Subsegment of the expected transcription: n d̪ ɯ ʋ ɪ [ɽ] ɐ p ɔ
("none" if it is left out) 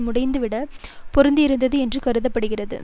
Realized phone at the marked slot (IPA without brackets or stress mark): ɽ